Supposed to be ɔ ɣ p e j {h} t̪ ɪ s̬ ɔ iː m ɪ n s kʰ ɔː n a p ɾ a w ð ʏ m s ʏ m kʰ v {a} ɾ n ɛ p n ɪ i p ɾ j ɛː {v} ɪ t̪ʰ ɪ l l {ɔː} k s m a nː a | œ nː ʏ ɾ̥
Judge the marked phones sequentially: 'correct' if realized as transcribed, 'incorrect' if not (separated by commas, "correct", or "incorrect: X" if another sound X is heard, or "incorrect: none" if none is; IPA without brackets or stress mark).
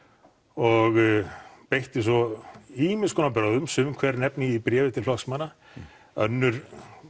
correct, incorrect: ɛ, correct, incorrect: ɔ